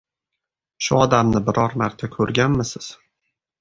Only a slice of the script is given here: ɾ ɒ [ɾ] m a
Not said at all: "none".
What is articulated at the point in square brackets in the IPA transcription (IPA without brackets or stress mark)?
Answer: ɾ